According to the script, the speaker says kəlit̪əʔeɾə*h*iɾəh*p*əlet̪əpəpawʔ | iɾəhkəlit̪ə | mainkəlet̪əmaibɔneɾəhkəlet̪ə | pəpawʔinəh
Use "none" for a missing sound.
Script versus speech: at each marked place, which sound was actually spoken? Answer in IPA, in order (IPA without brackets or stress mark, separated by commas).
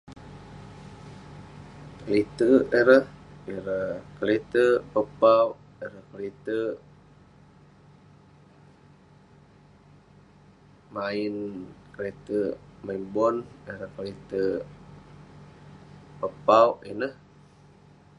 h, k